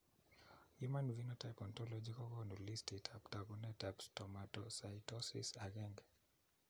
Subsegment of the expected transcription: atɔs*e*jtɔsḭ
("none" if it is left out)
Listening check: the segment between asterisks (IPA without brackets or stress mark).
a